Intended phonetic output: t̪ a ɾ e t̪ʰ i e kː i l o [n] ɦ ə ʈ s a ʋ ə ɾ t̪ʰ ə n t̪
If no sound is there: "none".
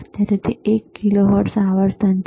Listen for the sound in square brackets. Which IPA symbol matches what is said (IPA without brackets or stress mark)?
none